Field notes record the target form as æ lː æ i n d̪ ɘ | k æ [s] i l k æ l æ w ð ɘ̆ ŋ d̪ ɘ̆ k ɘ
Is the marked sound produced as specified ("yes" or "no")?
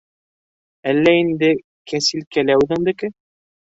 yes